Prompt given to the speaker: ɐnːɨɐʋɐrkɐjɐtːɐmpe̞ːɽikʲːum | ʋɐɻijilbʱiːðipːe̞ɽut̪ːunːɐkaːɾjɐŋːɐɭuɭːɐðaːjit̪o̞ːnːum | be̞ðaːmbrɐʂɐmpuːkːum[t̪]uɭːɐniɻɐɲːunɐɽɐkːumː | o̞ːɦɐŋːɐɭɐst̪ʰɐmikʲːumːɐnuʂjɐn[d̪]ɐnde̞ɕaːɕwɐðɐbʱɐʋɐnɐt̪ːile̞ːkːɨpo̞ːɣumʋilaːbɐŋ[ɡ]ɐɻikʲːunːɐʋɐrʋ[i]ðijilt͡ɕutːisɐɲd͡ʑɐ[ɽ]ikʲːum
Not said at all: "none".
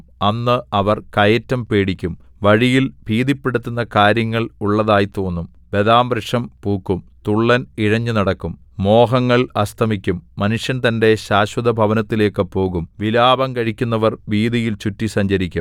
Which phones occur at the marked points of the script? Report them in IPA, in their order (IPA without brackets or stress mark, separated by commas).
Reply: t̪, t̪, k, iː, ɾ